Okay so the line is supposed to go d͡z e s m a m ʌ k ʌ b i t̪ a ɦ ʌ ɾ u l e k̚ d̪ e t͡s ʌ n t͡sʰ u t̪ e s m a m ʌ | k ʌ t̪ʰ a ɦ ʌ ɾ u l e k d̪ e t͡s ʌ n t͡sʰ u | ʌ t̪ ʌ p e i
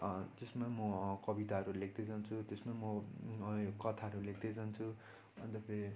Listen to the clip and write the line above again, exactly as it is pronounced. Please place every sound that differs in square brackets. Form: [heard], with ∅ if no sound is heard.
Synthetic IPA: d͡z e s m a m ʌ k ʌ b i t̪ a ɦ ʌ ɾ u l e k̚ d̪ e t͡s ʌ n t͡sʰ u t̪ e s m a m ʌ | k ʌ t̪ʰ a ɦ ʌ ɾ u l e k d̪ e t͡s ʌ n t͡sʰ u | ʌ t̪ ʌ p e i

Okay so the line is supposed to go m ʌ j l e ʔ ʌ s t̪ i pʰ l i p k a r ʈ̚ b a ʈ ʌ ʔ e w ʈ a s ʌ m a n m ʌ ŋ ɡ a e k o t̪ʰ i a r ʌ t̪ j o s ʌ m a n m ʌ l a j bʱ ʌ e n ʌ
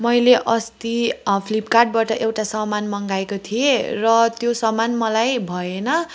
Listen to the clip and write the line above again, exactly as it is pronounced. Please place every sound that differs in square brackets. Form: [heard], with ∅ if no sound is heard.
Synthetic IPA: m ʌ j l e ʔ ʌ s t̪ i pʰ l i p k a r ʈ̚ b a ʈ ʌ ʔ e w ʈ a s ʌ m a n m ʌ ŋ ɡ a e k o t̪ʰ i [e] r ʌ t̪ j o s ʌ m a n m ʌ l a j bʱ ʌ e n ʌ

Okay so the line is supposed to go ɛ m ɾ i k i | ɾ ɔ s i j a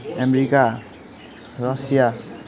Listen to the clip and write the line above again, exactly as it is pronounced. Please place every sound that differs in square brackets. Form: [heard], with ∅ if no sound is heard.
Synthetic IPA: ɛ m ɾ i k [a] | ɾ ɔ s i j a

